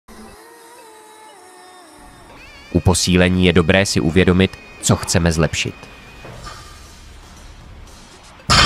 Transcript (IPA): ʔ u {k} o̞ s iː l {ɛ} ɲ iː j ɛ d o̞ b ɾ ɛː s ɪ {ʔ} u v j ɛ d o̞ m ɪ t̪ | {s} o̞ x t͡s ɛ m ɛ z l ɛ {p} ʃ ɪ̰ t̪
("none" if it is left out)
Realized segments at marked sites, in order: p, ɛ, ʔ, t͡s, p

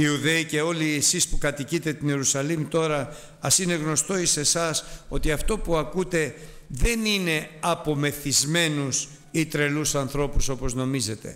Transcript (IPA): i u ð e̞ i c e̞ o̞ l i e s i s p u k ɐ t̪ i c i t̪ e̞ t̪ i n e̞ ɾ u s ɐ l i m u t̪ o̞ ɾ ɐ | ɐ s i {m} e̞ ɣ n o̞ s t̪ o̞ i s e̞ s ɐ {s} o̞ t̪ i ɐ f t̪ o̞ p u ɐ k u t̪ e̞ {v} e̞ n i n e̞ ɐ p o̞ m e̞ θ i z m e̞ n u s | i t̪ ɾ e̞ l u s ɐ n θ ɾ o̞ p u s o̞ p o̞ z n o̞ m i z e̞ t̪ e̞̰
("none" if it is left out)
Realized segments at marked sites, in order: n, s, ð

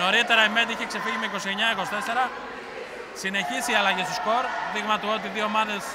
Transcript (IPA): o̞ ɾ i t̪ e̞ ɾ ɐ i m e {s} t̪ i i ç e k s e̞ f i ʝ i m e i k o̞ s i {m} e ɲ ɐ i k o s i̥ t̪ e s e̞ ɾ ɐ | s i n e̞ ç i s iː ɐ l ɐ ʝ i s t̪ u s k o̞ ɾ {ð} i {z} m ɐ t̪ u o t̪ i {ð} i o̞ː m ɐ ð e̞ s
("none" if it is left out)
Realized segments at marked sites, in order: none, none, ð, ɣ, ð

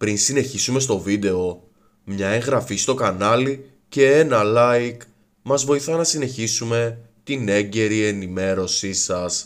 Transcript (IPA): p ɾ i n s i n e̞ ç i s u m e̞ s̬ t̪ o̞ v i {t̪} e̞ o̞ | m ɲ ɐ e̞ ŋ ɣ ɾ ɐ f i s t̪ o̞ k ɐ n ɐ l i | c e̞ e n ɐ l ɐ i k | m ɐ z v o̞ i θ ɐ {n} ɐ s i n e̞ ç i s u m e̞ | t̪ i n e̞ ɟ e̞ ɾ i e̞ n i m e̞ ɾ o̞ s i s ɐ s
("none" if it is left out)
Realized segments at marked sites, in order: d̪, n

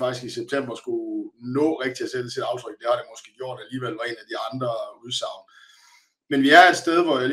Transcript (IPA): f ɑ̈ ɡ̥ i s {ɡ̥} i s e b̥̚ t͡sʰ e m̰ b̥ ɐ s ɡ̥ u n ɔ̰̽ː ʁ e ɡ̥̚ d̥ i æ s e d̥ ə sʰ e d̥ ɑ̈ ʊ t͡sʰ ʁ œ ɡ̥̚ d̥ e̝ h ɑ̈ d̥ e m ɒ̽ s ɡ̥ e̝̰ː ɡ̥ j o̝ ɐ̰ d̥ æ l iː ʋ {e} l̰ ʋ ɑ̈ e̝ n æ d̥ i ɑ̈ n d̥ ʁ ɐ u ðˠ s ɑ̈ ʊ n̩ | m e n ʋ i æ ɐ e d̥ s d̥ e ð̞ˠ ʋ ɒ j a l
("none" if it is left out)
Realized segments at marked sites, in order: ɡ̥, e

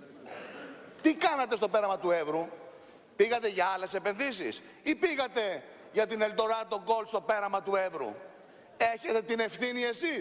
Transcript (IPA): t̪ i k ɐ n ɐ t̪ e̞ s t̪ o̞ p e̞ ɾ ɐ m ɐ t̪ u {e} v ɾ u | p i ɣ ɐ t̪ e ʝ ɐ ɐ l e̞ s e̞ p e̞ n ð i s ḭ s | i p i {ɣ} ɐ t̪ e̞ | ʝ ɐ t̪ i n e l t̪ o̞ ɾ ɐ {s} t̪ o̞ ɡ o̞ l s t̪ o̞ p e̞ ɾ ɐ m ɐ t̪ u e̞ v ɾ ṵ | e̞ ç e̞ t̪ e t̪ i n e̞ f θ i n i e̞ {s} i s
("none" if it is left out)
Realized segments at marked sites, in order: e, ɣ, none, s

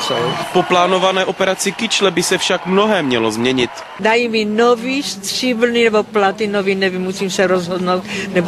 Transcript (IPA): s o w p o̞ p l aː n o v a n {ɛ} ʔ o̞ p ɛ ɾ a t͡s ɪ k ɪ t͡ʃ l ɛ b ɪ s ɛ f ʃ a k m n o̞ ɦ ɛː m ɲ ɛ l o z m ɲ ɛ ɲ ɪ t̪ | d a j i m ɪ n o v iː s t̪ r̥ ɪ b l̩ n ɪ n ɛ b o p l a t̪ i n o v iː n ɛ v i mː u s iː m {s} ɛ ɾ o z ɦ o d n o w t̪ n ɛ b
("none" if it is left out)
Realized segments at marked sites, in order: ɛː, s

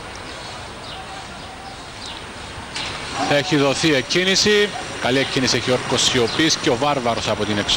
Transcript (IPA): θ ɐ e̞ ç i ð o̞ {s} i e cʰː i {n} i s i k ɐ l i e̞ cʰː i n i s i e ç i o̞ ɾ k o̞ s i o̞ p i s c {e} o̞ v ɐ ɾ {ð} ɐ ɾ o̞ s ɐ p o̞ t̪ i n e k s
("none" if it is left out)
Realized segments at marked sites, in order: θ, n, e, v

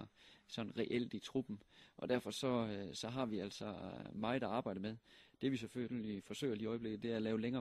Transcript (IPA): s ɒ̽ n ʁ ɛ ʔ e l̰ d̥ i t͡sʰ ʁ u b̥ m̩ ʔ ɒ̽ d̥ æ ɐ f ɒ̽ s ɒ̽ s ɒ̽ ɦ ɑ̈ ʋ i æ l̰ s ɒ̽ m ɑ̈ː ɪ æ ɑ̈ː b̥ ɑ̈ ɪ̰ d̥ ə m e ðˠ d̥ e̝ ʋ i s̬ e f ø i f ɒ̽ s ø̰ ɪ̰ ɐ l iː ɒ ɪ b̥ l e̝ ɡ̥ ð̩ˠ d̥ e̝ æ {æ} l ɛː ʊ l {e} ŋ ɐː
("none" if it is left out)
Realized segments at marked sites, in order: æ, e

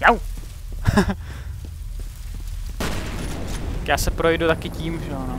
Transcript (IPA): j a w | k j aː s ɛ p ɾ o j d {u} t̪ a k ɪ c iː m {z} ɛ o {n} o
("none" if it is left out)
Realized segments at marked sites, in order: u, ʒ, n

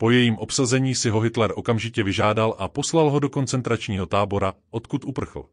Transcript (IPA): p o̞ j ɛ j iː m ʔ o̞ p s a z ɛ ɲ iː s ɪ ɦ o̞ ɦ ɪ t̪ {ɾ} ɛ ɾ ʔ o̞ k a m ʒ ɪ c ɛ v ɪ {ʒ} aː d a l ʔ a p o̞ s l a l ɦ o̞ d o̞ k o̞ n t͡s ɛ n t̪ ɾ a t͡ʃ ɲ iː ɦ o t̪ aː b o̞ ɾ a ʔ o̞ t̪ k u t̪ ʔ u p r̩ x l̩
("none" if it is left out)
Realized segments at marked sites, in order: l, ʒ

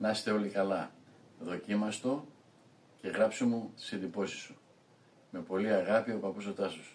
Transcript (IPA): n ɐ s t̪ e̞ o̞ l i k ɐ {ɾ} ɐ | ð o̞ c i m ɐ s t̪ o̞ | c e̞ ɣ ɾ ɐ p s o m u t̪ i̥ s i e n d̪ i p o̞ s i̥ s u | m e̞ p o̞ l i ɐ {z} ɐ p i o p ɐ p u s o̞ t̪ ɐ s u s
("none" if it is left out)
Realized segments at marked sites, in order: l, ɣ

